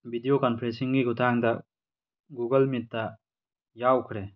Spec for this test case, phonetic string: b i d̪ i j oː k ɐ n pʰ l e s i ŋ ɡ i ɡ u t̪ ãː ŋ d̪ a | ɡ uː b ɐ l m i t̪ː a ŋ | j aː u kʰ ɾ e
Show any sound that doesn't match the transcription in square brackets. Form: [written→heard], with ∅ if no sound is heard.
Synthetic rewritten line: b i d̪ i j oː k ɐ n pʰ [l→ɾ] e s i ŋ ɡ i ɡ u t̪ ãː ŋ d̪ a | ɡ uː [b→ɡ] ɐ l m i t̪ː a [ŋ→∅] | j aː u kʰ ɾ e